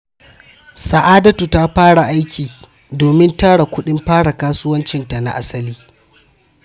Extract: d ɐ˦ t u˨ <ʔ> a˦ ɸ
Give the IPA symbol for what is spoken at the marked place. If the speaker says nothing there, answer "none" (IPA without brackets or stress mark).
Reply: t